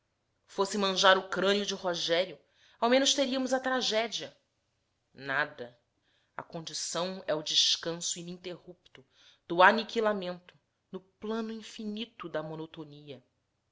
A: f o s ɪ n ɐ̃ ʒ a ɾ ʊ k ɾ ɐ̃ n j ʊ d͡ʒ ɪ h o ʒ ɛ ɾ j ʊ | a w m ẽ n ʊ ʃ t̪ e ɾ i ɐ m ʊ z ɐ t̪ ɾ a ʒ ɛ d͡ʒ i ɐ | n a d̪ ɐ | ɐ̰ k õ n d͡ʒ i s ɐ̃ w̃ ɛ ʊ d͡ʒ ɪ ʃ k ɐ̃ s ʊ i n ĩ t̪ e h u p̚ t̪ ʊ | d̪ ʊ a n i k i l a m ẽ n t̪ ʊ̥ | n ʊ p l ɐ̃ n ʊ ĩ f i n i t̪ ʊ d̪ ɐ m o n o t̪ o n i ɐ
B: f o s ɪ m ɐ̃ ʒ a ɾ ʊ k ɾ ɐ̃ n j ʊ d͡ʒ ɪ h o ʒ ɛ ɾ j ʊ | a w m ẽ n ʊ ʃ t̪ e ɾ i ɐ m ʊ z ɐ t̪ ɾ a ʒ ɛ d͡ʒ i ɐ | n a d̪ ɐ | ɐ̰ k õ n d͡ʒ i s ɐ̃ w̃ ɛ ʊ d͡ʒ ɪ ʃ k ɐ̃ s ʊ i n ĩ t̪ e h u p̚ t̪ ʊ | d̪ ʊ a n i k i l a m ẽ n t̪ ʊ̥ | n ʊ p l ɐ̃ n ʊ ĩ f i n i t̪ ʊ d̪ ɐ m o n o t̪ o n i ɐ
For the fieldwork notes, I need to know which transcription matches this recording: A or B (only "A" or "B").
B